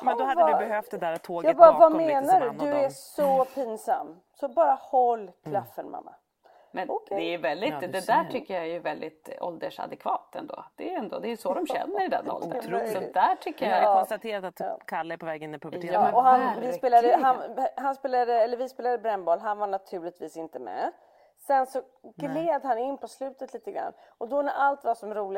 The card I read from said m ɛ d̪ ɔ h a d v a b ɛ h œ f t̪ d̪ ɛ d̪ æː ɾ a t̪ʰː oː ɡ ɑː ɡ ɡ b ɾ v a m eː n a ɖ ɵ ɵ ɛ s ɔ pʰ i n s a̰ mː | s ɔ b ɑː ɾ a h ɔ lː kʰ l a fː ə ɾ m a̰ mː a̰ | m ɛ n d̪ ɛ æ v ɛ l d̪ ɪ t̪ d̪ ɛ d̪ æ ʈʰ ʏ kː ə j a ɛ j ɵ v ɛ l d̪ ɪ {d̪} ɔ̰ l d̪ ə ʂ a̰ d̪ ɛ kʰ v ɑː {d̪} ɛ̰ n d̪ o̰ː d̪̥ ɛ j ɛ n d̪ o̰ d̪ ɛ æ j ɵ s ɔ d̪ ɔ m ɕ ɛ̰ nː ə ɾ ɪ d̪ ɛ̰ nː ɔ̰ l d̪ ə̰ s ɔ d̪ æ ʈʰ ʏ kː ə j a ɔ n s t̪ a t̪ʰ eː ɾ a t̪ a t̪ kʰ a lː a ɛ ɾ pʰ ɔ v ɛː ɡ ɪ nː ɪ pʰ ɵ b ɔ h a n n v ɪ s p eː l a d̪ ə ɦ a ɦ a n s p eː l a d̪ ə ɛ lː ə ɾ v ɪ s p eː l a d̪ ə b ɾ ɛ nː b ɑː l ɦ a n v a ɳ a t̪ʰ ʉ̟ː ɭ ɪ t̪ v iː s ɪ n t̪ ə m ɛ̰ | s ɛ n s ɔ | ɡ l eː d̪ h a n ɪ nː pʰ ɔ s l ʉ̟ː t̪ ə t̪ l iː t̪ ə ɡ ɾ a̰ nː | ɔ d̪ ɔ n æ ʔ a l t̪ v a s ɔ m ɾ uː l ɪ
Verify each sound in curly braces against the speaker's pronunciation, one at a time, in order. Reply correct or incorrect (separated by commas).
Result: incorrect, incorrect